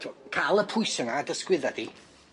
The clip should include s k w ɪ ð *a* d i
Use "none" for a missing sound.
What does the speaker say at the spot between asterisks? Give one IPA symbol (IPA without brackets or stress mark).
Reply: a